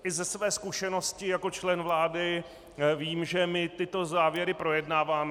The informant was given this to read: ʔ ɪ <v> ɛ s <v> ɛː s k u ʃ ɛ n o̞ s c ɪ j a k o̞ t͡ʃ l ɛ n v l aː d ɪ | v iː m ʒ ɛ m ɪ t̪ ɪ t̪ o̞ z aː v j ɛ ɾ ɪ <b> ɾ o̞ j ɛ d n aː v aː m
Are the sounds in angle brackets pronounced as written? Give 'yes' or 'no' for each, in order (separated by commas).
no, yes, no